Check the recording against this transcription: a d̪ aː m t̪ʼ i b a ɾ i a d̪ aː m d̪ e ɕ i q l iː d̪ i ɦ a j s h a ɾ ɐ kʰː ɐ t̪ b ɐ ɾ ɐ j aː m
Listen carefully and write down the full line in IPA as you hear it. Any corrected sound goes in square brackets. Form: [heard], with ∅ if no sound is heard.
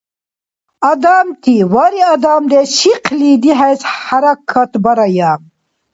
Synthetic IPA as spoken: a d̪ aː m [t̪] i [w] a ɾ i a d̪ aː m d̪ e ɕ i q l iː d̪ i ɦ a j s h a ɾ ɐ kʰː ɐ t̪ b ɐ ɾ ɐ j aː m